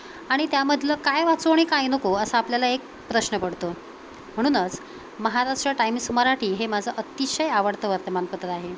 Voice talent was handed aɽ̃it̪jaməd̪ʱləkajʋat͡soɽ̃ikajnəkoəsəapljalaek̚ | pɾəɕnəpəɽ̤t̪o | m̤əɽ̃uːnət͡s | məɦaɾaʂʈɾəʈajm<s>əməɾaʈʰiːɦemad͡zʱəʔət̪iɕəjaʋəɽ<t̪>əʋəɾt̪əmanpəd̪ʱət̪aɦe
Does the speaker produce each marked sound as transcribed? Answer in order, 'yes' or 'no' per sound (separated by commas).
yes, yes